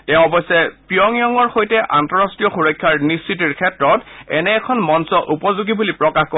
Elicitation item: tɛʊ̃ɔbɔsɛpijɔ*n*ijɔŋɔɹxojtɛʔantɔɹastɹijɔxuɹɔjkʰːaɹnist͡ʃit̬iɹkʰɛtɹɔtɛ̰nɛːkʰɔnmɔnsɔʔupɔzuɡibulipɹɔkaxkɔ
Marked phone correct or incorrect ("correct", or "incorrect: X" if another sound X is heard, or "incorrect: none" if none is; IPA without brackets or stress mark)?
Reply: incorrect: ŋ